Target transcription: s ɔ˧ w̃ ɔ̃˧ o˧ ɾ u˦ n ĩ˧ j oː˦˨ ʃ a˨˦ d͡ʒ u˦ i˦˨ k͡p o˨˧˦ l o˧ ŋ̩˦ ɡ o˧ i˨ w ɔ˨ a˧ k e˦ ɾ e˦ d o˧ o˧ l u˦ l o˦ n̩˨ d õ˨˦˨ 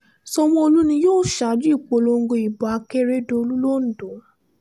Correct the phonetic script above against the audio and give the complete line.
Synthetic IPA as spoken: s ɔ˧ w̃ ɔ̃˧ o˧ l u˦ n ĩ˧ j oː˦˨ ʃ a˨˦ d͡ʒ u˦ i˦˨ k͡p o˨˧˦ l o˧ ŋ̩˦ ɡ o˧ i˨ b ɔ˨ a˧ k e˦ ɾ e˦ d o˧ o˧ l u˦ l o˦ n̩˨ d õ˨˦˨